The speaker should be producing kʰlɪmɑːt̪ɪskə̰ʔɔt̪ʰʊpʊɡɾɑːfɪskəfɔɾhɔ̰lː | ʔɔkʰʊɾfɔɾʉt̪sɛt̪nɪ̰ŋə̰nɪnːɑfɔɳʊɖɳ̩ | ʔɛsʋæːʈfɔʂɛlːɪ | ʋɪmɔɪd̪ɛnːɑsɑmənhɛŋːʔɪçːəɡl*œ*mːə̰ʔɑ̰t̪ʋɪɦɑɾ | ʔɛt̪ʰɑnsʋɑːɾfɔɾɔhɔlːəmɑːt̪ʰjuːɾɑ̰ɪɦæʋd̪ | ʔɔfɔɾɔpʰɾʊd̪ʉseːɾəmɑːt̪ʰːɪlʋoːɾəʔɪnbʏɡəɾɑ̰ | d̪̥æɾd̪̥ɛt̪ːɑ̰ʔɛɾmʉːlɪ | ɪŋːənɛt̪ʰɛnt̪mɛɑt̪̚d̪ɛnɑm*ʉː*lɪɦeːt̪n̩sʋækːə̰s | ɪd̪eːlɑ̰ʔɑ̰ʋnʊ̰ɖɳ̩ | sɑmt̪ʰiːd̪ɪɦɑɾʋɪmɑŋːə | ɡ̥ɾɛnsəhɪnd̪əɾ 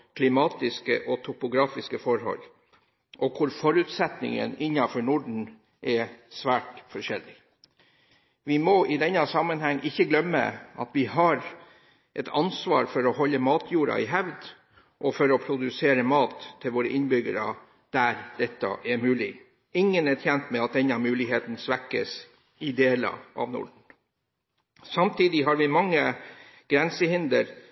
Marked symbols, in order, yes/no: yes, yes

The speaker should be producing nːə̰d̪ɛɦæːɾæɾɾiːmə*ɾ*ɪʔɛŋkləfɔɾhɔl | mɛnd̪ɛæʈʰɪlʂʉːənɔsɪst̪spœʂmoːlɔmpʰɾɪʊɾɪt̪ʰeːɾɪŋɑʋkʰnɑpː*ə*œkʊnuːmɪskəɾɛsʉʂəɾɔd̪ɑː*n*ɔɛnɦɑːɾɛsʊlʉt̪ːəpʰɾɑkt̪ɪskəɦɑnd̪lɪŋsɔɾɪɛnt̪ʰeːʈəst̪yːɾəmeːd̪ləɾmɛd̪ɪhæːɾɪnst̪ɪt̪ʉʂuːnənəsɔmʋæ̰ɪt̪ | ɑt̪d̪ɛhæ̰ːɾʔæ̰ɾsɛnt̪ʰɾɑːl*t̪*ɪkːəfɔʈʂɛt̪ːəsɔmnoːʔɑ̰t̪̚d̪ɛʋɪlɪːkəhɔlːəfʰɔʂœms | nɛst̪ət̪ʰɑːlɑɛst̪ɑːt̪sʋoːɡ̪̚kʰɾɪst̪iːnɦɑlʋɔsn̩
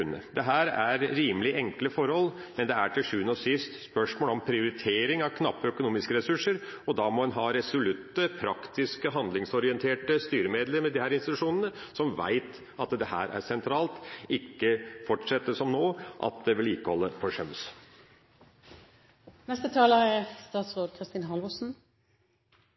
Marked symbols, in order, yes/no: no, yes, no, yes

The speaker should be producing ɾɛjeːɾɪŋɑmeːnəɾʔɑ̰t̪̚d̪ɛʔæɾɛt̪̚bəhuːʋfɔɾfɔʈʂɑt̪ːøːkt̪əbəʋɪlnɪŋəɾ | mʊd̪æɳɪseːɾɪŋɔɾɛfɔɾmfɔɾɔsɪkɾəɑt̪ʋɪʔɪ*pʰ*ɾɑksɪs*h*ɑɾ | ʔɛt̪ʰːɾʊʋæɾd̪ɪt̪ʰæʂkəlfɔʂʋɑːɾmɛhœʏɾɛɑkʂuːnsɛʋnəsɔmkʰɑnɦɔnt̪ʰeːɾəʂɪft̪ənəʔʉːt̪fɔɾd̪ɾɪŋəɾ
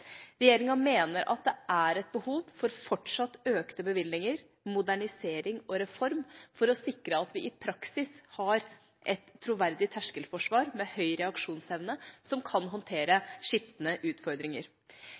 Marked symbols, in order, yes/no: yes, yes

